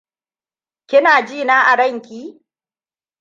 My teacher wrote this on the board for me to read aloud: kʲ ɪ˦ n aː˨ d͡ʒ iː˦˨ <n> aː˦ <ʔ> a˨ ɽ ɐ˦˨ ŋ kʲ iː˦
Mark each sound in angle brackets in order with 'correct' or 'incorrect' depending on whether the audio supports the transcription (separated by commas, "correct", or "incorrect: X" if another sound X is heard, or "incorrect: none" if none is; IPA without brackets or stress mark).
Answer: correct, correct